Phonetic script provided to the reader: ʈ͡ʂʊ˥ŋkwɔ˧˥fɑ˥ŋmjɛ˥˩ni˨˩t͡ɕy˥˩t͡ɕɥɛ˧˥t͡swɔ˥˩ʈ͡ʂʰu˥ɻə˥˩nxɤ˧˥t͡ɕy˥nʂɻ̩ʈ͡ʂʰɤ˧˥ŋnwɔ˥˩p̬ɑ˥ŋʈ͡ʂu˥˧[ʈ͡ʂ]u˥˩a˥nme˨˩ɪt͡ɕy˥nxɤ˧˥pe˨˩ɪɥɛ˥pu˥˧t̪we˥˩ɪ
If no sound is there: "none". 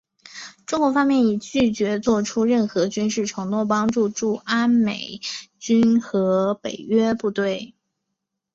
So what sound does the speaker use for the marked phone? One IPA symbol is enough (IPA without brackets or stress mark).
ʈ͡ʂ